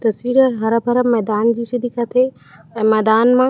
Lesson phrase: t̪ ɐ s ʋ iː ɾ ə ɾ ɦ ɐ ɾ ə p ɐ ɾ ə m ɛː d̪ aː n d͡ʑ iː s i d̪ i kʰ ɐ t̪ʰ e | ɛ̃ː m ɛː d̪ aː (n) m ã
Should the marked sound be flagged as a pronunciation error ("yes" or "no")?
no